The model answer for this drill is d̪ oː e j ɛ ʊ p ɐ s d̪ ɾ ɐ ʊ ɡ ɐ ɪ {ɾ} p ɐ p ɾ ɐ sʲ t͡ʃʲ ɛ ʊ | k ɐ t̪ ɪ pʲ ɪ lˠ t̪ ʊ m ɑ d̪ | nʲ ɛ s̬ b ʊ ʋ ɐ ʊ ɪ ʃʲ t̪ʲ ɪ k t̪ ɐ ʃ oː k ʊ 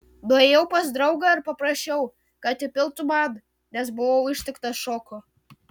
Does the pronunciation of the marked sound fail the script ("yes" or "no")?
no